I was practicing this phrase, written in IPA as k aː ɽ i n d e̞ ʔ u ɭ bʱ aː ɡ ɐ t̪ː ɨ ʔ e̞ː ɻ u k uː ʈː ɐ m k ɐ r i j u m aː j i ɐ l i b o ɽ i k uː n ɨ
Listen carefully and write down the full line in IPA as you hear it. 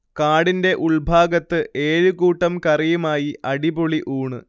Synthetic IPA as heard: k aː ɽ i n d e̞ ʔ u ɭ bʱ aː ɡ ɐ t̪ː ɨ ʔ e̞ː ɻ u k uː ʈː ɐ m k ɐ r i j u m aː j i ɐ ɽ i b o ɭ i ʔ uː ɳ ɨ